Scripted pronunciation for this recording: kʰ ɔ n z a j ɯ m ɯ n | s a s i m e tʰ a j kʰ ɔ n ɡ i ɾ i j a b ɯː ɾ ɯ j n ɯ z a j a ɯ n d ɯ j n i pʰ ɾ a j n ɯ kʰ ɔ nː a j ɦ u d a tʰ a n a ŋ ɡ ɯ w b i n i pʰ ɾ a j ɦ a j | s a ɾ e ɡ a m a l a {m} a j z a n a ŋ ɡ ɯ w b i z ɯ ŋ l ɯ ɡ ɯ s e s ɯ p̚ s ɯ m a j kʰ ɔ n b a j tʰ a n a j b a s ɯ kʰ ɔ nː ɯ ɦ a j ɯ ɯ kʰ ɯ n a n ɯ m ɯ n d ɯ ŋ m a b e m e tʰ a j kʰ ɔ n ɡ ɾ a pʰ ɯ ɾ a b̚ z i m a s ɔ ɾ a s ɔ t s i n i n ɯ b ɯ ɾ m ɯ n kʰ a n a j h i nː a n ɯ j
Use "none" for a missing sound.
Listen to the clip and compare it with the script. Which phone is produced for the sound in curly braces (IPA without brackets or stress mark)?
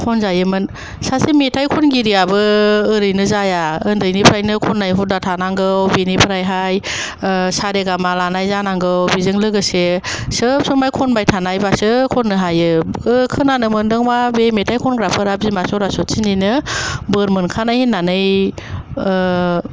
n